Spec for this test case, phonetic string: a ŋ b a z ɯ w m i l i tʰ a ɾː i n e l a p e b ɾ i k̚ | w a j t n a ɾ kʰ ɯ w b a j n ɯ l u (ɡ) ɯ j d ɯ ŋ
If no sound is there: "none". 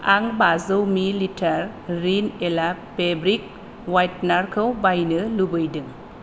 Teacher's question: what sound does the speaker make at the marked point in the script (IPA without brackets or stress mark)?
b